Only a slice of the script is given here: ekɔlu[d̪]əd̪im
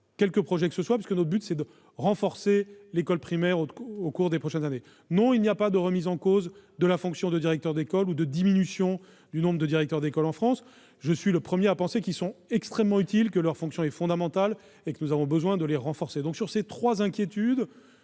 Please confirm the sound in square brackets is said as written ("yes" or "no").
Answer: yes